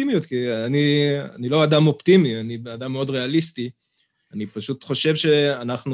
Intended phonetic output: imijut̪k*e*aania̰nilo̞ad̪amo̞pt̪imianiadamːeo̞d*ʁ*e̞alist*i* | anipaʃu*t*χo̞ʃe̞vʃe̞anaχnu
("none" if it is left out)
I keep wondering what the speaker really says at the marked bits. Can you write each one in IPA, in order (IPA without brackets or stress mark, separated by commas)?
i, ʁ, i, t